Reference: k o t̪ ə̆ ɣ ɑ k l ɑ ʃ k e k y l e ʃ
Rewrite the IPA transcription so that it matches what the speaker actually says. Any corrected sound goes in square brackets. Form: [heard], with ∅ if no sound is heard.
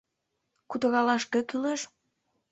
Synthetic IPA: k [u] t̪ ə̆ ɣ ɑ [∅] l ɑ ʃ k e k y l e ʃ